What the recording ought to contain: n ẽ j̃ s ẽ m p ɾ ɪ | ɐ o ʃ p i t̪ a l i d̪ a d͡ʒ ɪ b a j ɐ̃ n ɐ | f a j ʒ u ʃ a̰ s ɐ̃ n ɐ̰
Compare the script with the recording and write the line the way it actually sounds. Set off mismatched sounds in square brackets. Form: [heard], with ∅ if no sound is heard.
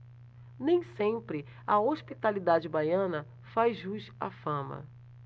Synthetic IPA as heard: n ẽ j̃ s ẽ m p ɾ ɪ | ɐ o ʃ p i t̪ a l i d̪ a d͡ʒ ɪ b a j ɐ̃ n ɐ | f a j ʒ u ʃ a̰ [f] ɐ̃ [m] ɐ̰